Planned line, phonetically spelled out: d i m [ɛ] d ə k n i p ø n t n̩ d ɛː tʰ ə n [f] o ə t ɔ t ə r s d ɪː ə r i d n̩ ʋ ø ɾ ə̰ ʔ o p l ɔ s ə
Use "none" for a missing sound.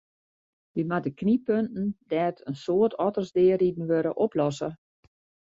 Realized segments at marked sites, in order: a, s

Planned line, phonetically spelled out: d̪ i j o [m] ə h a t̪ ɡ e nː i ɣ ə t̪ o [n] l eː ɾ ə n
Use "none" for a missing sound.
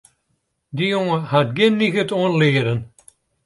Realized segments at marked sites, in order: ŋ, n

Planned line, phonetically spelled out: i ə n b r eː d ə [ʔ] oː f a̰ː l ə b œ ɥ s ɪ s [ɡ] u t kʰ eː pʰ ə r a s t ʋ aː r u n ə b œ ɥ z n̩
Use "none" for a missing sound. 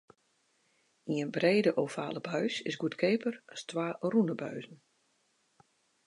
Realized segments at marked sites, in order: ʔ, ɡ

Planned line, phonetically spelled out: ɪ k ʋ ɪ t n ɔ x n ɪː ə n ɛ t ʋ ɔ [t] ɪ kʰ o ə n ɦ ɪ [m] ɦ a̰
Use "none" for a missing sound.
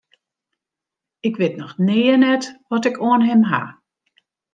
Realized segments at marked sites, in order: t, m

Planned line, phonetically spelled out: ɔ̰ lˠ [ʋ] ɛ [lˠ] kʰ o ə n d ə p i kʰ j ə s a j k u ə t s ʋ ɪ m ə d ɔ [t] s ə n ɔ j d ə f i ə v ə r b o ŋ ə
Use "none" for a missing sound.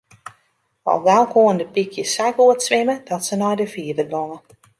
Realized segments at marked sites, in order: ʋ, lˠ, t

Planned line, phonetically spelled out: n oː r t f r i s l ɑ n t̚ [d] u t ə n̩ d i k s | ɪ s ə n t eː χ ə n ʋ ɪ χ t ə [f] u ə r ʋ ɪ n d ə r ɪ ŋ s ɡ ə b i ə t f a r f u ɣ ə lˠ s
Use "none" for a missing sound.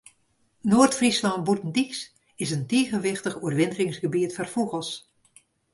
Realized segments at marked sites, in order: b, χ

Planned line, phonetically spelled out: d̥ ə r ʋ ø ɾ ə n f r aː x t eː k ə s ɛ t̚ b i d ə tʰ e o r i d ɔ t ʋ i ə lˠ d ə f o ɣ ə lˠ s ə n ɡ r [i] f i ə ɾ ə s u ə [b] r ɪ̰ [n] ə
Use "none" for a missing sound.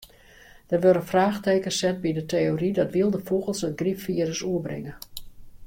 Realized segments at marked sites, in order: i, b, ŋ

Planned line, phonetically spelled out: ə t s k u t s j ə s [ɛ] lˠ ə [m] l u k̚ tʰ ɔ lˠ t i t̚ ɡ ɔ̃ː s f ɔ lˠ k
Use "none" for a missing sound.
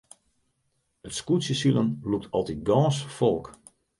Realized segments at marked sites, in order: i, n

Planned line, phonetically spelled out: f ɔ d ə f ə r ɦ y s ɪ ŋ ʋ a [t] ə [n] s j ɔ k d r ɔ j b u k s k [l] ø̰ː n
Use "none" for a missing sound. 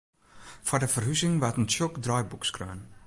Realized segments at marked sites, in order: t, n, r

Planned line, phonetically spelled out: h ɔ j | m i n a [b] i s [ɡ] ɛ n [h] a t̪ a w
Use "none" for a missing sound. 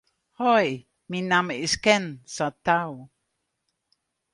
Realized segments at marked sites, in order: m, k, s

